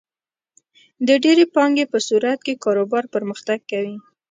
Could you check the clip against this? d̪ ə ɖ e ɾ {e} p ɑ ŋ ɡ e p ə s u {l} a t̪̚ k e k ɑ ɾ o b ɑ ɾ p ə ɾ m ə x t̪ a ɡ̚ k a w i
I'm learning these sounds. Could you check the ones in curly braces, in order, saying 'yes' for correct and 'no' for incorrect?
yes, no

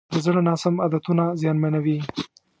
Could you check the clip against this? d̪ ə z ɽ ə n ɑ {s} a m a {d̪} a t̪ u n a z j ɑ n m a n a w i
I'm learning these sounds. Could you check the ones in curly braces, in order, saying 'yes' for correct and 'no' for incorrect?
yes, yes

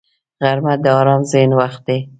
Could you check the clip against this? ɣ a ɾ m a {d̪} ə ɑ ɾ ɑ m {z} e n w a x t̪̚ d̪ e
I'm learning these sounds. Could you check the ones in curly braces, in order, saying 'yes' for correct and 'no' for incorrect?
yes, yes

